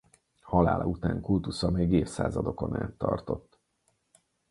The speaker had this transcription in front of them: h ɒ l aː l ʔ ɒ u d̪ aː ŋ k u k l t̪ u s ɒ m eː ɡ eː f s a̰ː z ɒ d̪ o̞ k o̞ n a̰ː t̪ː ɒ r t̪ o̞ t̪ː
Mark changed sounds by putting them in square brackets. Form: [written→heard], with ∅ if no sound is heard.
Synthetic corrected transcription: h ɒ l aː l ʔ ɒ u [d̪→t̪] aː ŋ k u [k→∅] l t̪ u s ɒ m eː ɡ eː f s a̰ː z ɒ d̪ o̞ k o̞ n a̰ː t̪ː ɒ r t̪ o̞ t̪ː